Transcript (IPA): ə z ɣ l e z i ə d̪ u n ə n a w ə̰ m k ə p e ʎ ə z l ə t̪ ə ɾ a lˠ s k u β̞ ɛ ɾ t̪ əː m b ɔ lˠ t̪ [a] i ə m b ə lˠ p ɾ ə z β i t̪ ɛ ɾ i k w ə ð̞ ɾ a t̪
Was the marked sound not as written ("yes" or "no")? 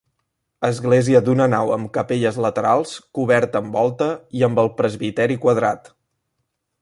yes